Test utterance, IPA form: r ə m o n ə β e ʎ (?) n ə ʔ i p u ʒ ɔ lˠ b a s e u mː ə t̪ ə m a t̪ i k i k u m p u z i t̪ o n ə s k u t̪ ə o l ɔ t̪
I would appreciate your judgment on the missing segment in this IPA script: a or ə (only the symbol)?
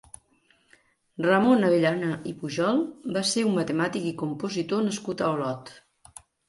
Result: a